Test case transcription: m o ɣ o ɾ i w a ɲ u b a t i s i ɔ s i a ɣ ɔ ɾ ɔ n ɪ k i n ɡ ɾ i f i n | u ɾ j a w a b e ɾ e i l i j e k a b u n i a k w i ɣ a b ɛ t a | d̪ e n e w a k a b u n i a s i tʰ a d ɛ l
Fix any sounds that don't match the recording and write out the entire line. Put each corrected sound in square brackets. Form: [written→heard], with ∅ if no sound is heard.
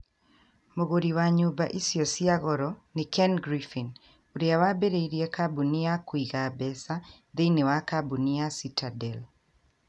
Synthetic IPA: m o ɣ o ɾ i w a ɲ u b a [t→ʔ] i s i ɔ s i a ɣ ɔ ɾ ɔ n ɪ k [i→ɛ] n ɡ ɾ i f i n | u ɾ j a w a b e ɾ e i [l→ɾ] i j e k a b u n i a k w i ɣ a b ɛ [t→s] a | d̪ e n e w a k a b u n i a s i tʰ a d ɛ l